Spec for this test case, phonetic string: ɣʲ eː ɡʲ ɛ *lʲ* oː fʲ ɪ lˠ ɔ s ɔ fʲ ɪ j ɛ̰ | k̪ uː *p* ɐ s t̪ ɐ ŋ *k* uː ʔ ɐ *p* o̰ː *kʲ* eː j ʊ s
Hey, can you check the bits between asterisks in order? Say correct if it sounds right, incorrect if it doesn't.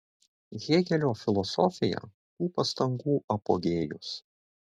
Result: correct, correct, incorrect: ɡ, correct, incorrect: ɡʲ

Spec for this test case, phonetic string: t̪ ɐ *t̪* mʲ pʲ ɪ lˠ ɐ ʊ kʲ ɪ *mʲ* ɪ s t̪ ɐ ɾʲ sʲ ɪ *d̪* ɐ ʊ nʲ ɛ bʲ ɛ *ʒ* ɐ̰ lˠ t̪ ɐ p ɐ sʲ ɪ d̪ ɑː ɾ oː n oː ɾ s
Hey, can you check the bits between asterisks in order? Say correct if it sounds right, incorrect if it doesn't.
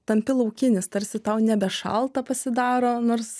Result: incorrect: none, incorrect: nʲ, incorrect: t̪, incorrect: ʃ

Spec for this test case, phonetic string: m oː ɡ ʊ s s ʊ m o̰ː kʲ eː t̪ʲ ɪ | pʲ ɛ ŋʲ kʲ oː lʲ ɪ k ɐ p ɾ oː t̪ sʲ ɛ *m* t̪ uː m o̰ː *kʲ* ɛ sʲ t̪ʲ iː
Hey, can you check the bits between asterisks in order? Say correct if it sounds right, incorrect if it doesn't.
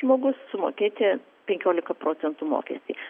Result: incorrect: n, correct

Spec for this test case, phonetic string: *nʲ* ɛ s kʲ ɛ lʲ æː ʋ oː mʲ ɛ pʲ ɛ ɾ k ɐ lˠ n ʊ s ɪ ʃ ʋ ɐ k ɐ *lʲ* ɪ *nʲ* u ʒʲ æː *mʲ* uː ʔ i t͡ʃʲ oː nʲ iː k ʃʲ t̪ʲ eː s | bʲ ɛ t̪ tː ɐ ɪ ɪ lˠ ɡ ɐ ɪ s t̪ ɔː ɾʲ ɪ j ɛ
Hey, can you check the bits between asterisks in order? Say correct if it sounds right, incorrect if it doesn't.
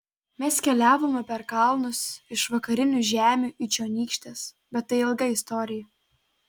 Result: incorrect: mʲ, incorrect: ɾʲ, correct, correct

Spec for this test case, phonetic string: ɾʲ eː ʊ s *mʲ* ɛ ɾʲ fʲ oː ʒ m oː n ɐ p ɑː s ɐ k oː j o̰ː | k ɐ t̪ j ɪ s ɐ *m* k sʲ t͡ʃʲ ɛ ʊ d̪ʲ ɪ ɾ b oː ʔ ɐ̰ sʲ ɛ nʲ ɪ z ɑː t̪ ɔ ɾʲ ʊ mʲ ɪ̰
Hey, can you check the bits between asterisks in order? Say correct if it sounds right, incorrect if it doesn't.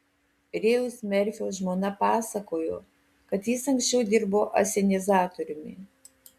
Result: correct, incorrect: ŋ

